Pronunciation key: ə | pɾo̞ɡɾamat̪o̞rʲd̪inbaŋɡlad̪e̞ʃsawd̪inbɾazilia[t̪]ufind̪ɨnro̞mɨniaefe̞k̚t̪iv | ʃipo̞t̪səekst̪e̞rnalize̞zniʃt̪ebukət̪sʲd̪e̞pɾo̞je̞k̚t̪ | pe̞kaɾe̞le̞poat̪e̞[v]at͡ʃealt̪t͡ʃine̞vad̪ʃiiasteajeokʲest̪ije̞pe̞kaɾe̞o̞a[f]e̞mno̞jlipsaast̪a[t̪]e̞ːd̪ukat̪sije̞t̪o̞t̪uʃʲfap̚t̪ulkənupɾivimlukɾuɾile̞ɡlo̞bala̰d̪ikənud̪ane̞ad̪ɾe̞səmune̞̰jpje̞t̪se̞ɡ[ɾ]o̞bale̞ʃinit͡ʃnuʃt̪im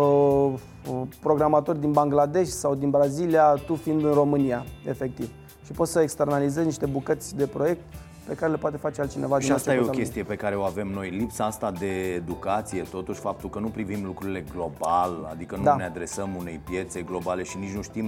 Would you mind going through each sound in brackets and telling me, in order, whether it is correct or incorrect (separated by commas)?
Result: correct, incorrect, incorrect, incorrect, incorrect